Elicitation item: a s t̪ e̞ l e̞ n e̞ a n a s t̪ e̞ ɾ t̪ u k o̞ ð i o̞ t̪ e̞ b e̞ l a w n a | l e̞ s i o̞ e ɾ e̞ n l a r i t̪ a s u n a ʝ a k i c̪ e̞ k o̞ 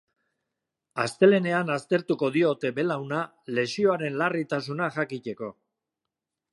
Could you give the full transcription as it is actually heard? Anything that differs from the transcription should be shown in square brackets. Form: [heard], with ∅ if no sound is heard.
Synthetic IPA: a s t̪ e̞ l e̞ n e̞ a n a s t̪ e̞ ɾ t̪ u k o̞ ð i o̞ t̪ e̞ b e̞ l a w n a | l e̞ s i o̞ [a] ɾ e̞ n l a r i t̪ a s u n a ʝ a k i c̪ e̞ k o̞